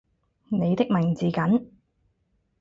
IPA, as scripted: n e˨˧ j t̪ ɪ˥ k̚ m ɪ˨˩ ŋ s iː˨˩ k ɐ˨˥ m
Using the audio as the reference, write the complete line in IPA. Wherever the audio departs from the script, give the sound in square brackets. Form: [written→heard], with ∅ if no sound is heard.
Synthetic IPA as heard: n e˨˧ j t̪ ɪ˥ k̚ m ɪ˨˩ ŋ [s→t͡s] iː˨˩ k ɐ˨˥ [m→n]